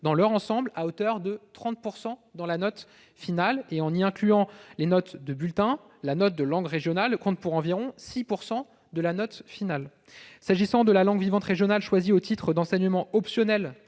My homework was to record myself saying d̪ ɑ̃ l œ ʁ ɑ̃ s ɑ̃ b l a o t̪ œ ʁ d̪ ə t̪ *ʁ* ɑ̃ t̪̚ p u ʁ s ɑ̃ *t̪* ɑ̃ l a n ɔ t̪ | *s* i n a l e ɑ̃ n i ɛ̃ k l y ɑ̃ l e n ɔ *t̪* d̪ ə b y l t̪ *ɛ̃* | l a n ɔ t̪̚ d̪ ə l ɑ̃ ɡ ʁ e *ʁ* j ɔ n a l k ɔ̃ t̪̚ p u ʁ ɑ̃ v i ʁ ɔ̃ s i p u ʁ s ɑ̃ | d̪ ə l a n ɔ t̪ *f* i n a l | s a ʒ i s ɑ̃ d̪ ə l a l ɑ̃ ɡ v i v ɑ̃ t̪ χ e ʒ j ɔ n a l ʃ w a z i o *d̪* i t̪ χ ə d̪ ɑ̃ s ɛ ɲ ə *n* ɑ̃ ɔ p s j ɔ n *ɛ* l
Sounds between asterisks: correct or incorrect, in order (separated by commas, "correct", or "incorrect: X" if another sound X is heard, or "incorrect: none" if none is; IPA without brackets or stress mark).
incorrect: χ, incorrect: d̪, incorrect: f, correct, correct, incorrect: ʒ, correct, incorrect: t̪, incorrect: m, correct